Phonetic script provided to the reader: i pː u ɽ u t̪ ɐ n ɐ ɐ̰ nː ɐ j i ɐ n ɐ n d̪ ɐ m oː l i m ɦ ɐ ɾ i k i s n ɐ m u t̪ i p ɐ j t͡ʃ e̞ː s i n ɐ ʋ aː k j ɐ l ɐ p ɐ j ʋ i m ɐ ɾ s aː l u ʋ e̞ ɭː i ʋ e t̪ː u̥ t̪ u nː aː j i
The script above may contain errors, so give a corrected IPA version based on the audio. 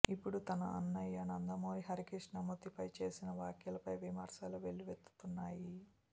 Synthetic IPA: i pː u ɽ u t̪ ɐ n ɐ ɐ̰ nː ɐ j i ɐ n ɐ n d̪ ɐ m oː ɾ i ɦ ɐ ɾ i k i ʂ n ɐ m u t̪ i p ɐ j t͡ʃ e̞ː s i n ɐ ʋ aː k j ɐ l ɐ p ɐ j ʋ i m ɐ ɾ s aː l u ʋ e̞ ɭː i ʋ e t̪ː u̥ t̪ u nː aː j i